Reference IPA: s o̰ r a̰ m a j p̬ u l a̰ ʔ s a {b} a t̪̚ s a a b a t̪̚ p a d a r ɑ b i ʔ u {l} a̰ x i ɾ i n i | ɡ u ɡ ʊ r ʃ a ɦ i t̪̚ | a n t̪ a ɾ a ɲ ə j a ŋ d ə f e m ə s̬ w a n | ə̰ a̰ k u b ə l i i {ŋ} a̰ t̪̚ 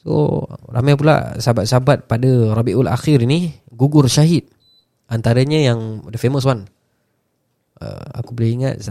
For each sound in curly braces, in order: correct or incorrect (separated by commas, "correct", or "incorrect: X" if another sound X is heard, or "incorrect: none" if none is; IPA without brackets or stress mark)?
correct, correct, correct